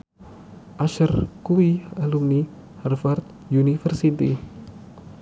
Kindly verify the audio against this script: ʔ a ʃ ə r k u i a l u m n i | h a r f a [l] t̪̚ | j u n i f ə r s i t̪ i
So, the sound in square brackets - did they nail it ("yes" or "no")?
no